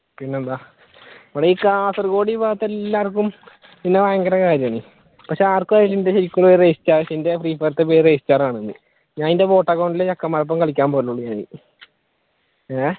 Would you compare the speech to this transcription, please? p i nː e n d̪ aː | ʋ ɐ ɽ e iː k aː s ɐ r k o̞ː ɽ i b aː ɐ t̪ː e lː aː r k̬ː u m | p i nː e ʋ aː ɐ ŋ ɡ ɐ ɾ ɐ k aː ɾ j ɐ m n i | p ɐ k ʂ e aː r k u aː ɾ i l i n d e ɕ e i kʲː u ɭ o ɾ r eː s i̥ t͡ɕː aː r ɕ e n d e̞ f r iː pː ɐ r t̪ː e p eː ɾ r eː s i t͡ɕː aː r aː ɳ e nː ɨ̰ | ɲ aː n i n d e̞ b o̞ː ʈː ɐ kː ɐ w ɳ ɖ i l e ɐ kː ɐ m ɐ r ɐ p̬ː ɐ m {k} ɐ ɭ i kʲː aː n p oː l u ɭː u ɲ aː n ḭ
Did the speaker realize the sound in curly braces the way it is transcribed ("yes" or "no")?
yes